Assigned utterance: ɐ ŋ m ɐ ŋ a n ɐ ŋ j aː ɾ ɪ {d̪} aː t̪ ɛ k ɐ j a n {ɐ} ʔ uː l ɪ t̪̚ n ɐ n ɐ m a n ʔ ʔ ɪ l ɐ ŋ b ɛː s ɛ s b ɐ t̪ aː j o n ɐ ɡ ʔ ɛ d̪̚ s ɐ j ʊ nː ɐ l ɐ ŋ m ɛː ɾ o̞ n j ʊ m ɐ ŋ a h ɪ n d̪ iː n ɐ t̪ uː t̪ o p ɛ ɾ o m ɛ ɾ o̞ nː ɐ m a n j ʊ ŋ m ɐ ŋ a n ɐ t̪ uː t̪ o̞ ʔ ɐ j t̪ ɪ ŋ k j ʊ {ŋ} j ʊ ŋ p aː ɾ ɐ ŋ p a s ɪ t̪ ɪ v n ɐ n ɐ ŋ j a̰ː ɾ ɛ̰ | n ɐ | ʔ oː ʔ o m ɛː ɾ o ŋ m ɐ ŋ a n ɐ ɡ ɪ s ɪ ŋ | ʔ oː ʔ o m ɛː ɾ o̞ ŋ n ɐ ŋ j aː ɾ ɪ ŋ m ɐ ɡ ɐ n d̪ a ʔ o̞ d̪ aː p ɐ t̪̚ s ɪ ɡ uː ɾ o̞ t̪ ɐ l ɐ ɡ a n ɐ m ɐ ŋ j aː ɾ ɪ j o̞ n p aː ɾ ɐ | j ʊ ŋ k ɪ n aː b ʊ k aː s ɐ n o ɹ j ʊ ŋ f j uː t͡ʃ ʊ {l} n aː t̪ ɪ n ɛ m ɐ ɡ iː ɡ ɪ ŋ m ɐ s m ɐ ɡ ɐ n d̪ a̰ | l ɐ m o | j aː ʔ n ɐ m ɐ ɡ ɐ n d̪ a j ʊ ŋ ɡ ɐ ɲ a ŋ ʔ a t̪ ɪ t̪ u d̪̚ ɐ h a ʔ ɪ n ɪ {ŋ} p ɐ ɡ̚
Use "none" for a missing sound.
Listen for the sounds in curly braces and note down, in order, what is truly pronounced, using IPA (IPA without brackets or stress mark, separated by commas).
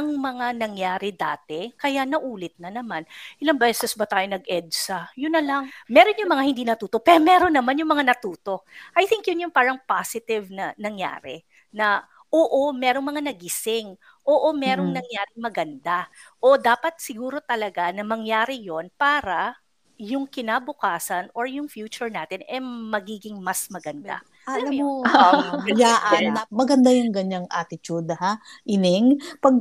d̪, ɐ, n, ɹ, ŋ